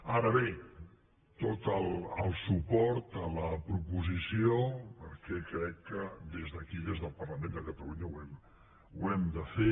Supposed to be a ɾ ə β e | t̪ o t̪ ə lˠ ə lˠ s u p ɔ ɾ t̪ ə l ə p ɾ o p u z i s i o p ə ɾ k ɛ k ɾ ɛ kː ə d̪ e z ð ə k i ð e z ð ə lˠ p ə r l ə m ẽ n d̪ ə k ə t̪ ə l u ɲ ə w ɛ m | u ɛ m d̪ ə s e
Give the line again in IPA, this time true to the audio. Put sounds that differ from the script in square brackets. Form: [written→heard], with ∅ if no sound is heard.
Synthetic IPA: a ɾ ə β e | t̪ o t̪ ə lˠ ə lˠ s u p ɔ ɾ t̪ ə l ə p ɾ [o→u] p u z i s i o p ə ɾ k ɛ k ɾ ɛ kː ə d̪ e z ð ə k i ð e z ð ə lˠ p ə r l ə m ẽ n d̪ ə k ə t̪ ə l u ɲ ə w ɛ m | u ɛ m d̪ ə [s→f] e